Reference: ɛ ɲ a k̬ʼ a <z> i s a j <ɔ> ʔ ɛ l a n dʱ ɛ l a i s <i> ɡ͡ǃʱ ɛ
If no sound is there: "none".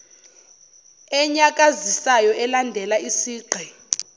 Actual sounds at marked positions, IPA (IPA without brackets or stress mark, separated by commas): z, ɔ, iː